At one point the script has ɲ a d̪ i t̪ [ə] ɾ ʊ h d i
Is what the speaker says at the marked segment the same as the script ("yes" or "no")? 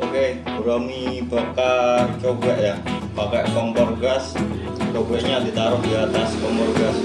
no